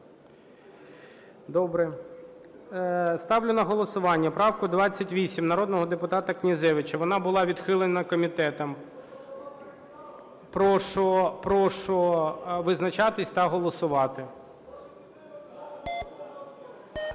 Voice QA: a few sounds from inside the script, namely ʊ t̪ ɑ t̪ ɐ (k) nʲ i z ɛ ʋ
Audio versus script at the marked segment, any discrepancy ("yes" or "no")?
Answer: no